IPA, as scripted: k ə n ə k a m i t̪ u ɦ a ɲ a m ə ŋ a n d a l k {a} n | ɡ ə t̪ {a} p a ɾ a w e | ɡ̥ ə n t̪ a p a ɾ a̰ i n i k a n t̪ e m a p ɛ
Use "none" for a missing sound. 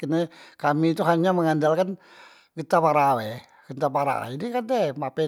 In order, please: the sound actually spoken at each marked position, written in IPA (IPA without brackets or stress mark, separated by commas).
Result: a, a